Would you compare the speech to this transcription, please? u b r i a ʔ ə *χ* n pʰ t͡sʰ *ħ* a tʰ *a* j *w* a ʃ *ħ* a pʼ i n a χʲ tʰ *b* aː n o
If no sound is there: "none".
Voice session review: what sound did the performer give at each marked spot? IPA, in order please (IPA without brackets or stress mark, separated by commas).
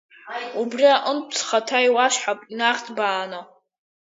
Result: none, χ, a, w, ħ, b